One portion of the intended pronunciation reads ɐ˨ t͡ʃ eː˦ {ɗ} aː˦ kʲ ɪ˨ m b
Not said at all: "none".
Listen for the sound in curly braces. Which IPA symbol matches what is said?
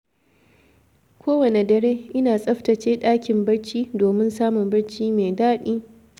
ɗ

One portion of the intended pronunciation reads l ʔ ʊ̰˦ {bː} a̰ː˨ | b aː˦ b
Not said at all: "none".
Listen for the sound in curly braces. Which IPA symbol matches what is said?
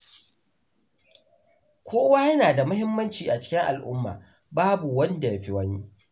mː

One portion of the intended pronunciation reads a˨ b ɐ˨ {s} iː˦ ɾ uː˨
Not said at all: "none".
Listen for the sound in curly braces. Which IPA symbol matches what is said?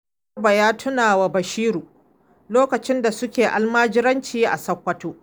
ʃ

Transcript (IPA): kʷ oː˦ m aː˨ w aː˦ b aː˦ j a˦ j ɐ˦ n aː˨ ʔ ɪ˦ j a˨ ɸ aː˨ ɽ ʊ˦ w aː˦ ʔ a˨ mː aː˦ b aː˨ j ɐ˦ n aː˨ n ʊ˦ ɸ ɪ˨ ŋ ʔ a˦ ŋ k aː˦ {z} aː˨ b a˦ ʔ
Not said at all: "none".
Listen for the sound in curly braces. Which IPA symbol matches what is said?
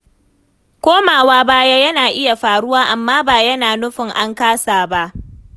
s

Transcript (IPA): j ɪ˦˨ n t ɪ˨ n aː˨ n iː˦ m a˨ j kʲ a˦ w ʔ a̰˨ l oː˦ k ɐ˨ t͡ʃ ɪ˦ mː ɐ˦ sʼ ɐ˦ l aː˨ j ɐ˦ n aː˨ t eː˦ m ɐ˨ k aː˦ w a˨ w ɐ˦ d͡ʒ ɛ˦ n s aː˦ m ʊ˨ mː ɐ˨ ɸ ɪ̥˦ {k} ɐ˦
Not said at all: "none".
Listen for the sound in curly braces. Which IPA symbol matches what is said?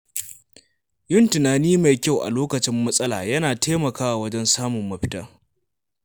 t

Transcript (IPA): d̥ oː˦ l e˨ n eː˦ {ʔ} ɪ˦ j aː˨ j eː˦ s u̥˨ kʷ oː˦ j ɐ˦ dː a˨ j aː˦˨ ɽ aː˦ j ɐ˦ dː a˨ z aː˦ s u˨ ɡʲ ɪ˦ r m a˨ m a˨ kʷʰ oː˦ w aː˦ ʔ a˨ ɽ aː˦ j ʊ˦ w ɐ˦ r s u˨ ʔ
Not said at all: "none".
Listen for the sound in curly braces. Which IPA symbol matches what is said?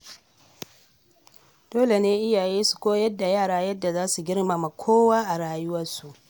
ʔ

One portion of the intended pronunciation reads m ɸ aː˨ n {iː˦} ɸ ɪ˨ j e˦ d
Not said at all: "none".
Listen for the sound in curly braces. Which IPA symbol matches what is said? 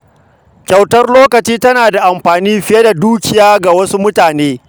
iː˦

